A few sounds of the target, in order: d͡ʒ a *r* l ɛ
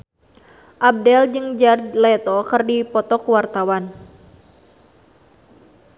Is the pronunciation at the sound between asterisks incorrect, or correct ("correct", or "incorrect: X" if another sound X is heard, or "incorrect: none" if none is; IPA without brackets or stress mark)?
correct